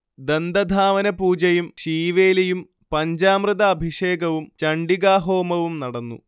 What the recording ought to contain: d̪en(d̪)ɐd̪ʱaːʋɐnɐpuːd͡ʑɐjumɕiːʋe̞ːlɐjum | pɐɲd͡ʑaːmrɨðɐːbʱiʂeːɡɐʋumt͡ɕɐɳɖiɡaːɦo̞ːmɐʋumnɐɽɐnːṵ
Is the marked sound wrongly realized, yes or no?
no